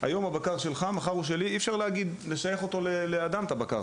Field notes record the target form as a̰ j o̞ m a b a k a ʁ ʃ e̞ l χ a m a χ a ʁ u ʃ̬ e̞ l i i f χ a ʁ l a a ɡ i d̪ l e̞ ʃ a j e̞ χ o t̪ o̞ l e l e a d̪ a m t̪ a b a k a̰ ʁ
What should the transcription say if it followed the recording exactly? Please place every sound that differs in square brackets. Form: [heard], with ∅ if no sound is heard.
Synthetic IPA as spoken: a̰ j o̞ m a b a k a ʁ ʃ e̞ l χ a m a χ a ʁ u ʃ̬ e̞ l i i f [ʃ] a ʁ l [e] a ɡ i d̪ l e̞ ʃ a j e̞ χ o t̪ o̞ l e l e a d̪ a m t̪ a b a k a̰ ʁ